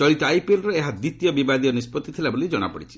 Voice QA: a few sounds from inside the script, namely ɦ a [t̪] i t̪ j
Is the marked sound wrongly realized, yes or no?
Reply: yes